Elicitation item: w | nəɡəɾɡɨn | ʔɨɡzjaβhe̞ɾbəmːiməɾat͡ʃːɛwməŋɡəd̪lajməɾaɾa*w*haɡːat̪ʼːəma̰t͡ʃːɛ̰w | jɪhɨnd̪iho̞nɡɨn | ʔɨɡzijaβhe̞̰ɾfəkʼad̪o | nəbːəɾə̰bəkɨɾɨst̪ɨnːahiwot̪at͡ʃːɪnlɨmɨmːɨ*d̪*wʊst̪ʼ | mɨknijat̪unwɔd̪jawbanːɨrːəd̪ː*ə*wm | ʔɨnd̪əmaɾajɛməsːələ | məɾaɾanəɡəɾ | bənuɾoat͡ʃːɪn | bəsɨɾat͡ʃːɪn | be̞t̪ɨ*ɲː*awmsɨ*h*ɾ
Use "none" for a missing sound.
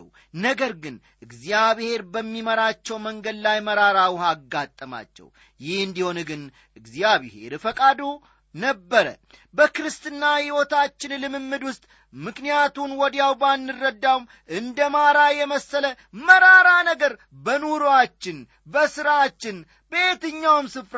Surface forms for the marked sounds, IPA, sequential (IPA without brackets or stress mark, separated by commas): w, d̪, a, ɲː, f